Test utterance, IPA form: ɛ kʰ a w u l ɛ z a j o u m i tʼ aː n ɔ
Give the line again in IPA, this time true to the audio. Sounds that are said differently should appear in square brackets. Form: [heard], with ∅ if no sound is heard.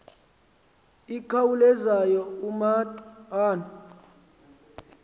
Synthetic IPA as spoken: [i] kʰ a w u l ɛ z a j [ɔ] u m [a] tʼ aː n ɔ